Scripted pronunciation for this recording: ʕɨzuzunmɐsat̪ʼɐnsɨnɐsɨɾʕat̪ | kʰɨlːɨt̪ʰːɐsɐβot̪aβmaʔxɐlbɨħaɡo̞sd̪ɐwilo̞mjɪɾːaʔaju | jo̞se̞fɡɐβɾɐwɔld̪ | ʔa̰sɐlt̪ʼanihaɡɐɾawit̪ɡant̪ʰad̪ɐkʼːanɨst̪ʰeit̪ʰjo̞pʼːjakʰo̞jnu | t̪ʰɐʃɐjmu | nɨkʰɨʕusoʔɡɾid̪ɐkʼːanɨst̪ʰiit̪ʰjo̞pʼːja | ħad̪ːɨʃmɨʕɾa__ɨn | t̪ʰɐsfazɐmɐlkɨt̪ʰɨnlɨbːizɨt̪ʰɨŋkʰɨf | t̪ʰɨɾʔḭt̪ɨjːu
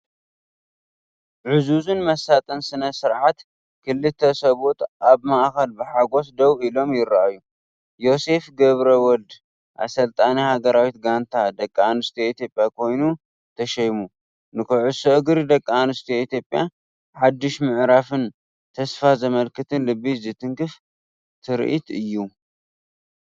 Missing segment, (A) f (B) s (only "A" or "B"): A